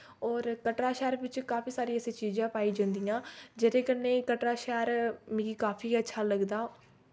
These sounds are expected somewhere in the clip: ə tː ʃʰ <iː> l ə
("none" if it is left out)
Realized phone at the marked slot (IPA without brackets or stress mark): aː